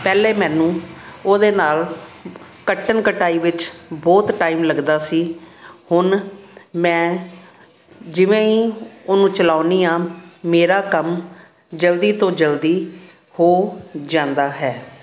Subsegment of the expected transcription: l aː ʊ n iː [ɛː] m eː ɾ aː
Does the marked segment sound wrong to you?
yes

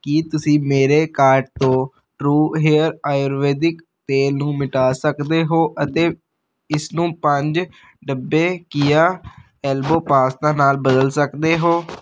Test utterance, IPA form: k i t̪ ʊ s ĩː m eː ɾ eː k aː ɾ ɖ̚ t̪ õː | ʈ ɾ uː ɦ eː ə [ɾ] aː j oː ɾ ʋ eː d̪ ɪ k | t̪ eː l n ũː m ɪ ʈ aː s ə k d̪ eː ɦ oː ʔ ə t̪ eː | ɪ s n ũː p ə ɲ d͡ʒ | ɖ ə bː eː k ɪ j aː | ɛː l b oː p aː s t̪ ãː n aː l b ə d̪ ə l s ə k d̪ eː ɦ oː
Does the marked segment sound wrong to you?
no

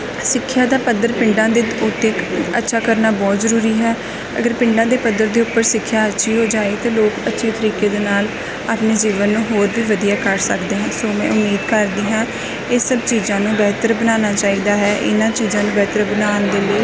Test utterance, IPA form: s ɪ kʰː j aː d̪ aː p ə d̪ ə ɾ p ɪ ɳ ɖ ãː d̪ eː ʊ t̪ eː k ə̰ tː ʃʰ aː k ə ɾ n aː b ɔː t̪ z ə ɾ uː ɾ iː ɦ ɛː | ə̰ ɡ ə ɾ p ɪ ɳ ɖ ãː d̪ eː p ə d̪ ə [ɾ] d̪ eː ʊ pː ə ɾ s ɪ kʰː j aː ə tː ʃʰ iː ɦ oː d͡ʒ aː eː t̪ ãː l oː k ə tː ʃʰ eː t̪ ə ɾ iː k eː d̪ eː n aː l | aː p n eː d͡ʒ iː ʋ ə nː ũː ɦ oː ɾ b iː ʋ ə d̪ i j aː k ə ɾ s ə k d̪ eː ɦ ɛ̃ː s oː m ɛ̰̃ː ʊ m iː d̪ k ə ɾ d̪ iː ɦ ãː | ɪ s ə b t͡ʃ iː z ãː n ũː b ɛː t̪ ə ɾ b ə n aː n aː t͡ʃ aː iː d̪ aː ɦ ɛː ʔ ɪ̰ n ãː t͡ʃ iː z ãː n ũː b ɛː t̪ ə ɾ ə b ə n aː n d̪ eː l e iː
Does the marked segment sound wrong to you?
no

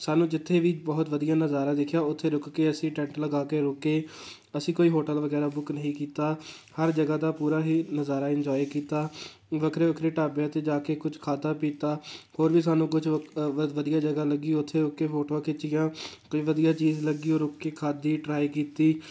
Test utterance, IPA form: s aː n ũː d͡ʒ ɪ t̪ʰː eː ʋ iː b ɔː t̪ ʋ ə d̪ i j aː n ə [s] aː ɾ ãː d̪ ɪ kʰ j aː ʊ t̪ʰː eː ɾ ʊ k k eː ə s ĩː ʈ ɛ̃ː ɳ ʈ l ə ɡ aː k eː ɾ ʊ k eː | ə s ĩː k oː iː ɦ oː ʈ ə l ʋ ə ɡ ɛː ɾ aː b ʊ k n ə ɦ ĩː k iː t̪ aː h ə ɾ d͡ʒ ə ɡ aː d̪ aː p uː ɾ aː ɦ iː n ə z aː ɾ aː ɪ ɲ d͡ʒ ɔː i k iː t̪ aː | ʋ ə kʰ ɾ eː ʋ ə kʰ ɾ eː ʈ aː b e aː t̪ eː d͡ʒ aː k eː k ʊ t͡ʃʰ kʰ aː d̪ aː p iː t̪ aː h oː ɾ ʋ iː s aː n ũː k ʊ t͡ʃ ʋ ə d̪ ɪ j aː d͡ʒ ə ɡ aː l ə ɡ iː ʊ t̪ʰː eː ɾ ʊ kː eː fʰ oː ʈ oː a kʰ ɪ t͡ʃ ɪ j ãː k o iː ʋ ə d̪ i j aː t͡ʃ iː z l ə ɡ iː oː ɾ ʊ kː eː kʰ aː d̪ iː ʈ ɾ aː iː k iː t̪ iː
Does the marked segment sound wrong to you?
yes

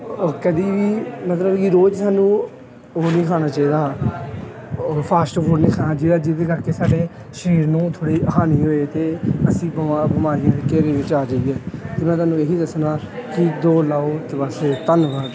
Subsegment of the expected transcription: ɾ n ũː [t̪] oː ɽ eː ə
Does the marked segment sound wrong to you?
yes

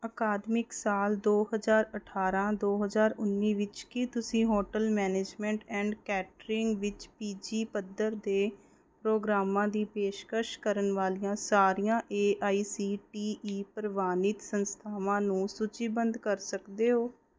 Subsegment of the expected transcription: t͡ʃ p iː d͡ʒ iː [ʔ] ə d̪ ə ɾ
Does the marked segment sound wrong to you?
yes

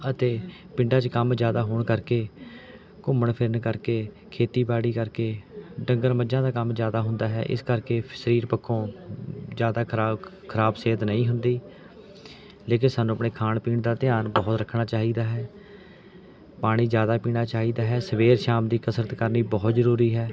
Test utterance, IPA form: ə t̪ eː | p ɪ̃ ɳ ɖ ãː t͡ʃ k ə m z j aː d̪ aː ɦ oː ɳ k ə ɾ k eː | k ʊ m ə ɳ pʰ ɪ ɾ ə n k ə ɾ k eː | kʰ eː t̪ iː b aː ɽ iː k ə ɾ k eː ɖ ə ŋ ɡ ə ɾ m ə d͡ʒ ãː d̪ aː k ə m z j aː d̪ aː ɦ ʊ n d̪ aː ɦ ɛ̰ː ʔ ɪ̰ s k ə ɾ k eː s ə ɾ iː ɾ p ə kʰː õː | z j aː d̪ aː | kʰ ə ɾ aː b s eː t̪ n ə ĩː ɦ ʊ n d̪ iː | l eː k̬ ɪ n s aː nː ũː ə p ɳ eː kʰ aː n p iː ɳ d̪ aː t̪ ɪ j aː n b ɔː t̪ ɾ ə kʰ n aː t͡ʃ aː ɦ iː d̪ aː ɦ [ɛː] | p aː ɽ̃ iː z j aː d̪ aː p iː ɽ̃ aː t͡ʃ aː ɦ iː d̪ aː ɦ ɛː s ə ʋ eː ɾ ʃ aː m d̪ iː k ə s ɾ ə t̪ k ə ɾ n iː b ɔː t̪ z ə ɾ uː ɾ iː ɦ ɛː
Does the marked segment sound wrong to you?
no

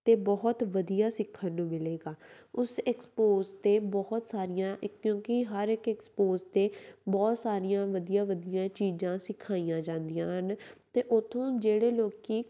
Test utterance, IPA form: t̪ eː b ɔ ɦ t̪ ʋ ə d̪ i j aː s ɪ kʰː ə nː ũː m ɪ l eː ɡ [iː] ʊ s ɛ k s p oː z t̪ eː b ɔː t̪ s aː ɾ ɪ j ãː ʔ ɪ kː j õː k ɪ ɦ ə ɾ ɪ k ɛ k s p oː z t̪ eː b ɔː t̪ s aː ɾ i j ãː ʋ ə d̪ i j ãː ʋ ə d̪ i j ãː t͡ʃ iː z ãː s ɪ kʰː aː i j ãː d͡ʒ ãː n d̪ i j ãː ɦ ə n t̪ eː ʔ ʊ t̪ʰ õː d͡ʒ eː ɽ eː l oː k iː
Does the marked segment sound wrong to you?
yes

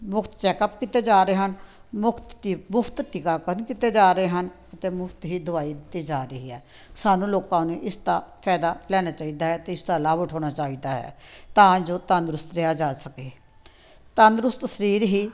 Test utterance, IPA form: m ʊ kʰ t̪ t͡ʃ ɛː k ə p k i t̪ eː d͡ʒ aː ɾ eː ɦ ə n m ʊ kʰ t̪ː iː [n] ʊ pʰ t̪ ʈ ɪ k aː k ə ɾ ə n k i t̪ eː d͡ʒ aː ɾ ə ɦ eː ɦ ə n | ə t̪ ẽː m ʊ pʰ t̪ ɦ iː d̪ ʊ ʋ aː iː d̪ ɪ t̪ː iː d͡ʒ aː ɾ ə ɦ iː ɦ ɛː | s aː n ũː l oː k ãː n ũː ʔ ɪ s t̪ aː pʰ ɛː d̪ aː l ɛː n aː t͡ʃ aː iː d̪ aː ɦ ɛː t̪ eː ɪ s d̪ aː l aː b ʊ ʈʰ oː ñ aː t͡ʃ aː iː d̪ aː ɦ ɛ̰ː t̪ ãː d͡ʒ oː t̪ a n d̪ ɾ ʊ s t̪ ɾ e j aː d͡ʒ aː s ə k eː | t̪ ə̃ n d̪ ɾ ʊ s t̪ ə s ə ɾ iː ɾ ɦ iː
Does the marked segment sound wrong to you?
yes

